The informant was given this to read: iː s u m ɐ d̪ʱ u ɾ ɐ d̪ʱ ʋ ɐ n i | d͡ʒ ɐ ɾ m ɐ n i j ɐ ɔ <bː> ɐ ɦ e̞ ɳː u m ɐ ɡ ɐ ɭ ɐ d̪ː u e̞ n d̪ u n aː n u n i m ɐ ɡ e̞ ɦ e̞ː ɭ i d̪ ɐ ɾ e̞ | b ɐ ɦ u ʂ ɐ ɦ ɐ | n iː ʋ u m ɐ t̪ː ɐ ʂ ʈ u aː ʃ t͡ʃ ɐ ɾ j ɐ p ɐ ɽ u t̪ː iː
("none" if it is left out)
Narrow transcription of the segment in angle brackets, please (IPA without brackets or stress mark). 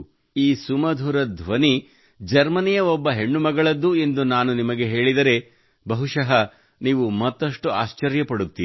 bː